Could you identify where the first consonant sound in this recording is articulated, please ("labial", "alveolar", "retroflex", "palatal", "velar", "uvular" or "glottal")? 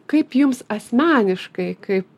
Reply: velar